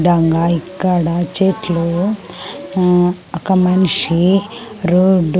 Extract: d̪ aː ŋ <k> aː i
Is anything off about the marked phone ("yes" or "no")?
yes